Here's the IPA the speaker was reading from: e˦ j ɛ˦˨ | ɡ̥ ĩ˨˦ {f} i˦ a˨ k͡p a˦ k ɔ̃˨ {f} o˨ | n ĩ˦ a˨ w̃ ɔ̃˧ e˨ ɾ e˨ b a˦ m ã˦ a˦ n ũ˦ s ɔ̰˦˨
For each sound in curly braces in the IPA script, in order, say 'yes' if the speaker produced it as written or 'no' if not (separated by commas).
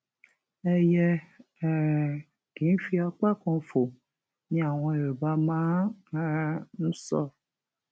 yes, yes